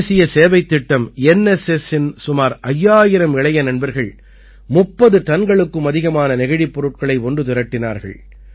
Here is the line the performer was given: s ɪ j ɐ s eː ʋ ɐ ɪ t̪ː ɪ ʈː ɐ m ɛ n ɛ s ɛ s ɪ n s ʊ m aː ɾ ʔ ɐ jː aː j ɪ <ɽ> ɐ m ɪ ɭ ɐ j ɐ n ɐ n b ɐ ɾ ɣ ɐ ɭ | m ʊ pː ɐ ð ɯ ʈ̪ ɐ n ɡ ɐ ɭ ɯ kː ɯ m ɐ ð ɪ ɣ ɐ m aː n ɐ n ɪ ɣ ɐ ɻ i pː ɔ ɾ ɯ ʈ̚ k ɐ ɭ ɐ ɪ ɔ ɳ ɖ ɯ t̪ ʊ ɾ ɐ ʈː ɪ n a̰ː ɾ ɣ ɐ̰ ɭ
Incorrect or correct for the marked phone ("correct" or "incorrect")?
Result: incorrect